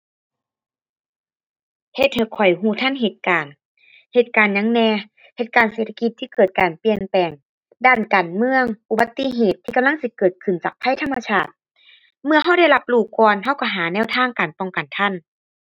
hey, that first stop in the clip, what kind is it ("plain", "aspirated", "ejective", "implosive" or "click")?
plain